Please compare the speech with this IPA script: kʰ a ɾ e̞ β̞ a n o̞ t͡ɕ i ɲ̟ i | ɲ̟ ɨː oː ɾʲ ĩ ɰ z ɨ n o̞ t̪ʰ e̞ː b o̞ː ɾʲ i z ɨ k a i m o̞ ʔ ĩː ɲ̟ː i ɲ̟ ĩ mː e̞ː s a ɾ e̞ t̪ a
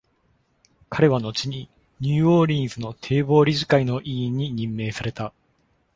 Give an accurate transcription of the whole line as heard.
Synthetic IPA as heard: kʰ a ɾ e̞ β̞ a n o̞ t͡ɕ i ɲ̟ i | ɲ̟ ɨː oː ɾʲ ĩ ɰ z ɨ n o̞ t̪ʰ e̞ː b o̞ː ɾʲ i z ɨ k a i n o̞ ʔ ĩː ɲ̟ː i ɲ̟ ĩ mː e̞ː s a ɾ e̞ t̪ a